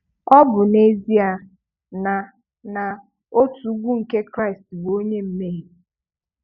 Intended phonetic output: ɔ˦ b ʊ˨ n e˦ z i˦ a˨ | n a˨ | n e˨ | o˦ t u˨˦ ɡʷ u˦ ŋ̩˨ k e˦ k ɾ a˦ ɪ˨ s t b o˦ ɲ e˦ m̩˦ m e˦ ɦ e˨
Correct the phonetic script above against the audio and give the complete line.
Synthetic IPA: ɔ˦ b ʊ˨ n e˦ z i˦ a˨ | n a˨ | n a˨ | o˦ t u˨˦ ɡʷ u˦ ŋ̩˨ k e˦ k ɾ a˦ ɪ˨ s t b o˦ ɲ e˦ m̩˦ m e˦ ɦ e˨